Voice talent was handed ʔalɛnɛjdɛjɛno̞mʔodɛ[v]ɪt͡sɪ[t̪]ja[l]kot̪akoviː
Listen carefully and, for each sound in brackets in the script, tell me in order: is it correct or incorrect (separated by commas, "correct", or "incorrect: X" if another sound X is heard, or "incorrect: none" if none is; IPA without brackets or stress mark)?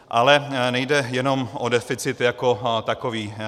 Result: incorrect: f, correct, incorrect: none